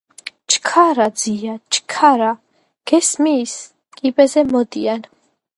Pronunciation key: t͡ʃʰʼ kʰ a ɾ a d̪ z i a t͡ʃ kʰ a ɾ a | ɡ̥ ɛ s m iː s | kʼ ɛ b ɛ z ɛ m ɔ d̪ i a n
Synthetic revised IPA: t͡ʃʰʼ kʰ a ɾ a d̪ z i a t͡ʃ kʰ a ɾ a | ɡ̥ ɛ s m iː s | kʼ i b ɛ z ɛ m ɔ d̪ i a n